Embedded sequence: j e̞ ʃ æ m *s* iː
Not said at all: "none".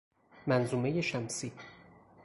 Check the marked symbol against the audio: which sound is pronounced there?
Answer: s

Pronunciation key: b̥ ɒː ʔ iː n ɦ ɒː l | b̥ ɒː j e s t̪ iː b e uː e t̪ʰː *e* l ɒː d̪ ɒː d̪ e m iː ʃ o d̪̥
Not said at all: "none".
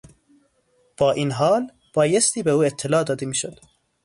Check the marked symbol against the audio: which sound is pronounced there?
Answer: e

